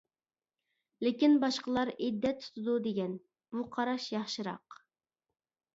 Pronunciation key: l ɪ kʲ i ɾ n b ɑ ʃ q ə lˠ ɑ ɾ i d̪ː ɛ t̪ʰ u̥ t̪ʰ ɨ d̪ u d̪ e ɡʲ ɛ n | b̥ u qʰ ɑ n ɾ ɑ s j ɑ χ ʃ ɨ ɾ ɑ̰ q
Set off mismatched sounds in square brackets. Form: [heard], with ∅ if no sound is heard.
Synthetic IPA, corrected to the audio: l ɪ kʲ i [∅] n b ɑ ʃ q ə lˠ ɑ ɾ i d̪ː ɛ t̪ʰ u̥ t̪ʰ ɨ d̪ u d̪ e ɡʲ ɛ n | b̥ u qʰ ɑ [∅] ɾ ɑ [ʃ] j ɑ χ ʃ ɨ ɾ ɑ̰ q